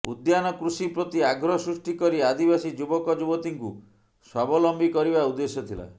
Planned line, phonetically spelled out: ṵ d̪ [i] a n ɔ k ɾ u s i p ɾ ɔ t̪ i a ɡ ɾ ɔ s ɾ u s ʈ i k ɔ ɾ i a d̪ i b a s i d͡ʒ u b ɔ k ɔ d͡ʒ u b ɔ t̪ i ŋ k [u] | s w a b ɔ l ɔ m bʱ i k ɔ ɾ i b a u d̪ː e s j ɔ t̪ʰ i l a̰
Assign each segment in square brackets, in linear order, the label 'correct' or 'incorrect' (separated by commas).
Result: incorrect, correct